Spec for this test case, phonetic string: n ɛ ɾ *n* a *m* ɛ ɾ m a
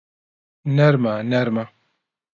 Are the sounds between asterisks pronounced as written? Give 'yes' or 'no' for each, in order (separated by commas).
no, no